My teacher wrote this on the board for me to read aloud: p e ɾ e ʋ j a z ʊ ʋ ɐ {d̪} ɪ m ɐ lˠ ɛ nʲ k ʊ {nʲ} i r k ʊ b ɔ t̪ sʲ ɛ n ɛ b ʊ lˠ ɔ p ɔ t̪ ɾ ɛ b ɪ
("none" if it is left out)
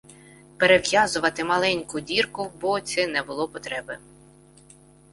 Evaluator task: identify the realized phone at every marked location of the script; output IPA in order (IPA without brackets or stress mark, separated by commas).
t̪, dʲ